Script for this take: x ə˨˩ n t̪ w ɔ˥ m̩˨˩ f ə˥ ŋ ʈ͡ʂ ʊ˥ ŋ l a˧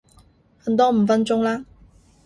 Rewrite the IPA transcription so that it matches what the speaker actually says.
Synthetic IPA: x ə˨˩ n t̪ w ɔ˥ m̩˨˩ f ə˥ n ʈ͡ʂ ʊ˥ ŋ l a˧